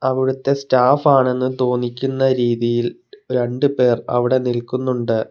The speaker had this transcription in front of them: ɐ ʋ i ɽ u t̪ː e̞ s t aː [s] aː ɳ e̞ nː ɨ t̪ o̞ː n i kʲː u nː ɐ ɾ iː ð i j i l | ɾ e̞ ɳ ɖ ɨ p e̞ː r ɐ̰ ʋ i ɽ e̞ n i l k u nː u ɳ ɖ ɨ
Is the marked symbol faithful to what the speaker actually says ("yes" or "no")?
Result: no